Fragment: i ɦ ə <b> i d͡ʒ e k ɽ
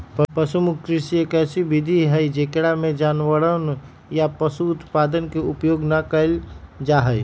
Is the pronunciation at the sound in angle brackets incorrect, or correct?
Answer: incorrect